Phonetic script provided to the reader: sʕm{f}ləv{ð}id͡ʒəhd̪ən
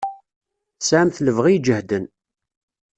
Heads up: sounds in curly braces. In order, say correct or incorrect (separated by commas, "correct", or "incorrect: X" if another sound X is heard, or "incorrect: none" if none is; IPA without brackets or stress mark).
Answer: incorrect: θ, incorrect: ʁ